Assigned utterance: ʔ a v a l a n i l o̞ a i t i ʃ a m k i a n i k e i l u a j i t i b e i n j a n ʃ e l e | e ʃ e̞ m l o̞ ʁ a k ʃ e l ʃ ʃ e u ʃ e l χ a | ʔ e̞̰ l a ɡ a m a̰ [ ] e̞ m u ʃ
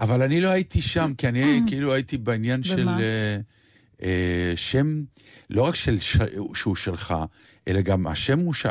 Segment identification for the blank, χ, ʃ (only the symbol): ʃ